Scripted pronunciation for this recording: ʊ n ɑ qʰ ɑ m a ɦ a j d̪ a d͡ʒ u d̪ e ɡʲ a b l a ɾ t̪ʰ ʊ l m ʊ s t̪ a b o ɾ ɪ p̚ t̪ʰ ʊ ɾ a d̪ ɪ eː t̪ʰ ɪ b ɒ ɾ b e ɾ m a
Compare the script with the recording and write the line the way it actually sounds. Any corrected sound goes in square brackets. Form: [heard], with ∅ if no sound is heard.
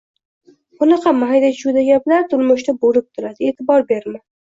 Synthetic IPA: ʊ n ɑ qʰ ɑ m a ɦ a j d̪ a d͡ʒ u d̪ [a] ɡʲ a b l a ɾ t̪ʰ ʊ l m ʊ [ʃ] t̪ a b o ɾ ɪ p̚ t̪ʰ ʊ ɾ a d̪ ɪ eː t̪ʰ ɪ b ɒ ɾ b e ɾ m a